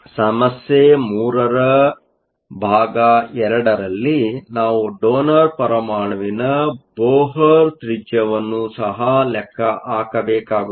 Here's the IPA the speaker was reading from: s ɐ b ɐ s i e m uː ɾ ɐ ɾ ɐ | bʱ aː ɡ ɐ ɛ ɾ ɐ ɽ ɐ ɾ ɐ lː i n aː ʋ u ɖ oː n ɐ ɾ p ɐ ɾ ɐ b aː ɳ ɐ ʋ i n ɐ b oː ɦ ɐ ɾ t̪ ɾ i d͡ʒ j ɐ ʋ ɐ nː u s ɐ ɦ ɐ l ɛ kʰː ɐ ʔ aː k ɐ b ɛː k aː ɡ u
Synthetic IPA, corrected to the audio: s ɐ m ɐ s j e m uː ɾ ɐ ɾ ɐ | bʱ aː ɡ ɐ ɛ ɾ ɐ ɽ ɐ ɾ ɐ lː i n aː ʋ u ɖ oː n ɐ ɾ p ɐ ɾ ɐ m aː ɳ ɐ ʋ i n ɐ b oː ɦ ɐ ɾ t̪ ɾ i d͡ʒ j ɐ ʋ ɐ nː u s ɐ ɦ ɐ l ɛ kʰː ɐ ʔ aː k ɐ b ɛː k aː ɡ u